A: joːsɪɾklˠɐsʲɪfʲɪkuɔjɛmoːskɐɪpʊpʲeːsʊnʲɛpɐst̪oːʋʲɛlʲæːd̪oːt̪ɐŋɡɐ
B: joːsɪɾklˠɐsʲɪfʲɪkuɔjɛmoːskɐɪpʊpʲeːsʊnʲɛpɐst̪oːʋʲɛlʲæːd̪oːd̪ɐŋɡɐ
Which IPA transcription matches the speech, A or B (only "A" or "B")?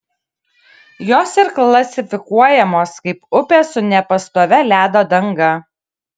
B